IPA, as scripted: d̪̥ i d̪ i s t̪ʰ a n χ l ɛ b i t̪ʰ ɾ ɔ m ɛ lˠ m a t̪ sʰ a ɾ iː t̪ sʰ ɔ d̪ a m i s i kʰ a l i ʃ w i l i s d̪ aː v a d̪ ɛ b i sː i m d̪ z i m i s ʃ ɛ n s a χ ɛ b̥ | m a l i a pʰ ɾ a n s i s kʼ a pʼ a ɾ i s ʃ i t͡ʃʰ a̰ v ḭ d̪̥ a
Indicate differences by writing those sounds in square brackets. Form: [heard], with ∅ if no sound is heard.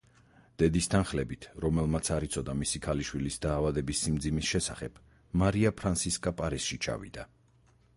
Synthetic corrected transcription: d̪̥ [ɛ] d̪ i s t̪ʰ a n χ l ɛ b i t̪ʰ ɾ ɔ m ɛ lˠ m a t̪ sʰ a ɾ [i] t̪ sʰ ɔ d̪ a m i s i kʰ a l i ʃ w i l i s d̪ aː v a d̪ ɛ b i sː i m d̪ z i m i s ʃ ɛ [∅] s a χ ɛ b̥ | m a [ɾ] i a pʰ ɾ a n s i s kʼ a pʼ a ɾ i s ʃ i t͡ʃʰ a̰ v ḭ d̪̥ a

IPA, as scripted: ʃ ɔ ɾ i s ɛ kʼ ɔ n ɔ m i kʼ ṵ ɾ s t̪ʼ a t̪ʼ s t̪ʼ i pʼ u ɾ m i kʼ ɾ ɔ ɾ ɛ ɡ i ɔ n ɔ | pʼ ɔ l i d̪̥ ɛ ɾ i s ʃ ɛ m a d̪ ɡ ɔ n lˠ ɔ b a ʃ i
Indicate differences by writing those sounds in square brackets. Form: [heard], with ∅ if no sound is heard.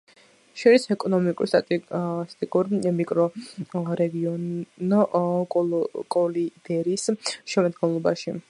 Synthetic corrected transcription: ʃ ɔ ɾ i s ɛ kʼ ɔ n ɔ m i kʼ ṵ ɾ s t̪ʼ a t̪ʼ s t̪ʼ i [kʼ] u ɾ m i kʼ ɾ ɔ ɾ ɛ ɡ i ɔ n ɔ | [kʼ] ɔ l i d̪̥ ɛ ɾ i s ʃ ɛ m a d̪ ɡ ɔ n lˠ ɔ b a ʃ i

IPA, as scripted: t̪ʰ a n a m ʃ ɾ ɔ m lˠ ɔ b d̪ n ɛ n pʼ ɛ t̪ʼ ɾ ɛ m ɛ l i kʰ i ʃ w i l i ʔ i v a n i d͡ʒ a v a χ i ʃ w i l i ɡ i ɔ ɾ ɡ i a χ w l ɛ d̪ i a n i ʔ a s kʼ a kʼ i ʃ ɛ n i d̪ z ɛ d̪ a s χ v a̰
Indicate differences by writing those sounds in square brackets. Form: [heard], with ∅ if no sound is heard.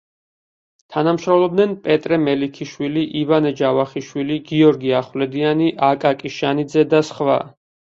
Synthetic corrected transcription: t̪ʰ a n a m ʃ ɾ ɔ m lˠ ɔ b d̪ n ɛ n pʼ ɛ t̪ʼ ɾ ɛ m ɛ l i kʰ i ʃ w i l i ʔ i v a n [ɛ] d͡ʒ a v a χ i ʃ w i l i ɡ i ɔ ɾ ɡ i a χ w l ɛ d̪ i a n i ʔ a [∅] kʼ a kʼ i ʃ [a] n i d̪ z ɛ d̪ a s χ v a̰

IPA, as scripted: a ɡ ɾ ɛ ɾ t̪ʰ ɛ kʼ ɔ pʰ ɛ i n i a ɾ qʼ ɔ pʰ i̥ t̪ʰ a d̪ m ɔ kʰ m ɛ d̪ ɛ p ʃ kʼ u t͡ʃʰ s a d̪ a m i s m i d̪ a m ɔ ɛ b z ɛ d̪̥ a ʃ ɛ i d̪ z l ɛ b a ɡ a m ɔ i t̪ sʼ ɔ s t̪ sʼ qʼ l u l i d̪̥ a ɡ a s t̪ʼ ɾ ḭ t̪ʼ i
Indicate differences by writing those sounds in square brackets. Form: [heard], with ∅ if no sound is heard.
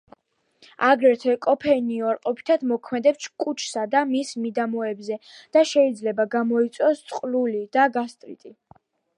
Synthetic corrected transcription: a ɡ ɾ ɛ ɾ t̪ʰ ɛ kʼ ɔ pʰ ɛ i n i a ɾ qʼ ɔ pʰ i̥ t̪ʰ a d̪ m ɔ kʰ m ɛ d̪ ɛ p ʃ kʼ u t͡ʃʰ s a d̪ a m i s m i d̪ a m ɔ ɛ b z ɛ d̪̥ a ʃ ɛ i d̪ z l ɛ b a ɡ a m ɔ i t̪ sʼ ɔ s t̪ sʼ qʼ l u l i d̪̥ a ɡ a s t̪ʼ ɾ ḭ t̪ʼ i

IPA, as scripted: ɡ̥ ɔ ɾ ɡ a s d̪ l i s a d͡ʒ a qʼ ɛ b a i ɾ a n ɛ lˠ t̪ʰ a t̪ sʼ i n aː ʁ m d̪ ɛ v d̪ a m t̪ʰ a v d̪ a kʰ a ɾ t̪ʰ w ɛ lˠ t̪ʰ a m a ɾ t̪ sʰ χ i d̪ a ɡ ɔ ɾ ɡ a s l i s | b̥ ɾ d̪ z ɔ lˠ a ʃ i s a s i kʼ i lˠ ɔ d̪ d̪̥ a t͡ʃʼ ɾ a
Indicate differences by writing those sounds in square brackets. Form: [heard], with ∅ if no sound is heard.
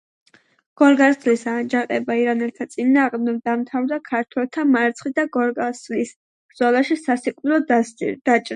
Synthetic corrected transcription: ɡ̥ ɔ ɾ ɡ a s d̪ l i s a d͡ʒ a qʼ ɛ b a i ɾ a n ɛ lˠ t̪ʰ a t̪ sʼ i n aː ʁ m d̪ ɛ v d̪ a m t̪ʰ a v d̪ a kʰ a ɾ t̪ʰ w ɛ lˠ t̪ʰ a m a ɾ t̪ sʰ χ i d̪ a ɡ ɔ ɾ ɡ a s l i s | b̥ ɾ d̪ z ɔ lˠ a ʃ i s a s i kʼ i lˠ ɔ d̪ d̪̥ a t͡ʃʼ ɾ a

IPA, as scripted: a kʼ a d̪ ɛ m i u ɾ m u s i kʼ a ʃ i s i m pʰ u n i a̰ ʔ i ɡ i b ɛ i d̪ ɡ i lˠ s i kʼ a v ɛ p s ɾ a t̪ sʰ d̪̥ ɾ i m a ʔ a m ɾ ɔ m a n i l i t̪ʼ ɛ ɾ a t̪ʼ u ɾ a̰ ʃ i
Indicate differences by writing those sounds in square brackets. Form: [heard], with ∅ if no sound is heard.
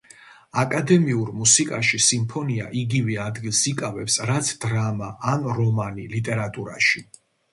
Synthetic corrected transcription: a kʼ a d̪ ɛ m i u ɾ m u s i kʼ a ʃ i s i m pʰ [ɔ] n i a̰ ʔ i ɡ i [v] ɛ [a] d̪ ɡ i lˠ s i kʼ a v ɛ p s ɾ a t̪ sʰ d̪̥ ɾ [a] m a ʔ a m ɾ ɔ m a n i l i t̪ʼ ɛ ɾ a t̪ʼ u ɾ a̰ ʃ i

